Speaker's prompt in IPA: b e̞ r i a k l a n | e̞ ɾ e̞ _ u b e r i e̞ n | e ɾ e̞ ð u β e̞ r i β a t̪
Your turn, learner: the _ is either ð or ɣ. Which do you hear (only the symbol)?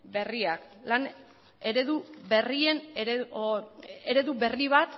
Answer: ð